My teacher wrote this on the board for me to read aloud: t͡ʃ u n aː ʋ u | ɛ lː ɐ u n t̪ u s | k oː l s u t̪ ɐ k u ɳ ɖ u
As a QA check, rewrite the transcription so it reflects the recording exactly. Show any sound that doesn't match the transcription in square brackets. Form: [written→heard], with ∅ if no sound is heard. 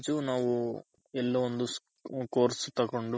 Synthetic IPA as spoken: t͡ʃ u n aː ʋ u | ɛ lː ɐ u n [t̪→d̪] u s | k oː [l→ɾ] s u t̪ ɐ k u ɳ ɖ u